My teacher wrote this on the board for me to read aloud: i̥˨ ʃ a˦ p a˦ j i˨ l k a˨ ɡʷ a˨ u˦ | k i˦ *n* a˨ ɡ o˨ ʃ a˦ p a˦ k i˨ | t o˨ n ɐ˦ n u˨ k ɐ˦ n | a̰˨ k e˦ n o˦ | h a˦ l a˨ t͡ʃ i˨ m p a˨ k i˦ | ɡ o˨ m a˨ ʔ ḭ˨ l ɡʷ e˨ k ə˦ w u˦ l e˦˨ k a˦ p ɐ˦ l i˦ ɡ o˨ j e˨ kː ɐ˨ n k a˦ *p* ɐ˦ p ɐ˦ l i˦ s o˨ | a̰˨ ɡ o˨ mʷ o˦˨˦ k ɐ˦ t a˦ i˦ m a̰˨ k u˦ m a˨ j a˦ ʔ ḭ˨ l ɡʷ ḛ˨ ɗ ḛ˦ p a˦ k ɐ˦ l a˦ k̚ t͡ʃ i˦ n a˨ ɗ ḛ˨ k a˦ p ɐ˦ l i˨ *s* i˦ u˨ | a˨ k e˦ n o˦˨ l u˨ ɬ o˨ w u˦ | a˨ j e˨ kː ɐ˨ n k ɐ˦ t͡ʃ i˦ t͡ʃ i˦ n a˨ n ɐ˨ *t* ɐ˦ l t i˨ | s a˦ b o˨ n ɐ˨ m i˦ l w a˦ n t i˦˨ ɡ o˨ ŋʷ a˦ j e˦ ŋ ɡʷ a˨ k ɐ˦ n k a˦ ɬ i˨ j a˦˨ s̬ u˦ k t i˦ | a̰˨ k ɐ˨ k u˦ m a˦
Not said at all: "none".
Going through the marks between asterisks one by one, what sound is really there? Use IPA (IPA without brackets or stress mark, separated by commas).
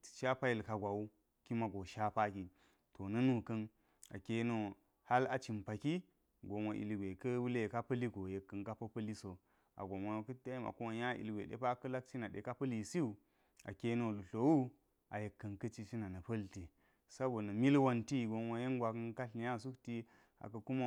m, p, s, p